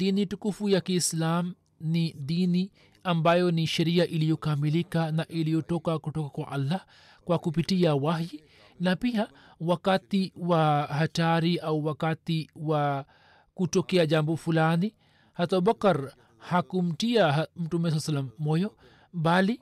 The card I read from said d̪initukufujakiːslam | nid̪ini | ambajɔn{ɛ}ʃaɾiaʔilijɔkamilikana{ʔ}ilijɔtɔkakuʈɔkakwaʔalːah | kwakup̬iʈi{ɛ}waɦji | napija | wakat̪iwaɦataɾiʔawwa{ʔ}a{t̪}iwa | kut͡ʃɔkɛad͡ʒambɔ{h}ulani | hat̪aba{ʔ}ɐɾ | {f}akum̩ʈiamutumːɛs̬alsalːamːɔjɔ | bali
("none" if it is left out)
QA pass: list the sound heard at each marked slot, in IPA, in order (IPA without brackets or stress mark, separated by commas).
i, ʔ, a, k, t̪, f, k, h